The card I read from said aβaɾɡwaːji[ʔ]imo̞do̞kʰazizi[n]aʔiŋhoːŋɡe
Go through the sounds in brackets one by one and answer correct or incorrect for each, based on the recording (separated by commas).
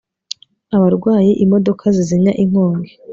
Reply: correct, incorrect